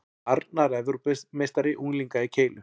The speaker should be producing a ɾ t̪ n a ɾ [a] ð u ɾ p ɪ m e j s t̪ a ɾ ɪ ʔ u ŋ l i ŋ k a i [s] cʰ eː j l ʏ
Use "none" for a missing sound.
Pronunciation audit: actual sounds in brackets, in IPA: ɛ, none

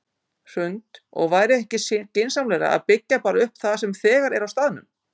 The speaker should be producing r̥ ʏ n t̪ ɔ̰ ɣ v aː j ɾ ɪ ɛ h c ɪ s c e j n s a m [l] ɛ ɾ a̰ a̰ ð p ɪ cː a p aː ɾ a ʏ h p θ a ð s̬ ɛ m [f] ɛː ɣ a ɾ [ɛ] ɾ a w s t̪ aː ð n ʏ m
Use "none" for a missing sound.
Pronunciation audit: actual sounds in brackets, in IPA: l, θ, ɛ

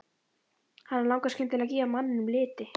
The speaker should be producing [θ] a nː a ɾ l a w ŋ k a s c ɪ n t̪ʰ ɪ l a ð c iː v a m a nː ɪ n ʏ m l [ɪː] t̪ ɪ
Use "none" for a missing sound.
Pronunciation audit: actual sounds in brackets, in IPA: h, ɪː

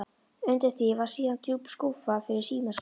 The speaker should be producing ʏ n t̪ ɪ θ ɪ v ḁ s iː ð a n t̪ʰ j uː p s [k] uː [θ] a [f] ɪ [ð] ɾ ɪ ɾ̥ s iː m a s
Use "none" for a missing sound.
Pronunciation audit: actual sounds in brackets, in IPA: k, f, f, none

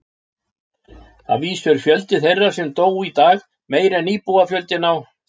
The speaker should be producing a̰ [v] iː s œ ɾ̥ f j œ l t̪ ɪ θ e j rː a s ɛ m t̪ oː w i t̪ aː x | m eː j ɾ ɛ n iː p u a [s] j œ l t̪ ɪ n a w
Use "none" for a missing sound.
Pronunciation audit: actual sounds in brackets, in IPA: v, f

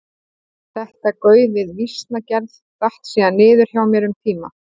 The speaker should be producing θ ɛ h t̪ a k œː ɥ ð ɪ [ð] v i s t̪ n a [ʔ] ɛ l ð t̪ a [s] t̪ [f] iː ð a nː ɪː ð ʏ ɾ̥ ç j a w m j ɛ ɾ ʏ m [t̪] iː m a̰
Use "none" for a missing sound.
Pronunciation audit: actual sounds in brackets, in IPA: ð, c, h, s, t̪ʰ

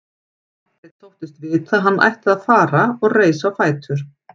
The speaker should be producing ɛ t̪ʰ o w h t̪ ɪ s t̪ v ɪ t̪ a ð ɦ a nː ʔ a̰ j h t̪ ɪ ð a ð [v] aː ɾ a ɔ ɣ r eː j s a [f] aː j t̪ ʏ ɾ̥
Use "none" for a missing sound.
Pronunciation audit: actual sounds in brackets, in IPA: f, f

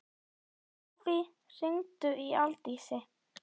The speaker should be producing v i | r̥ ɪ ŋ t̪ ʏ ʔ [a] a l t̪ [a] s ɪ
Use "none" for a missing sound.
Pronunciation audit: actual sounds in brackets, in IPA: i, i

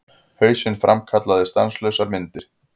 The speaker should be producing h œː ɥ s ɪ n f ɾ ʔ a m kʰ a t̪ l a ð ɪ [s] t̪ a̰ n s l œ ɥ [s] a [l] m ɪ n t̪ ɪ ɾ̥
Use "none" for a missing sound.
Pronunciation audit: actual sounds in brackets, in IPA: s, s, ɾ

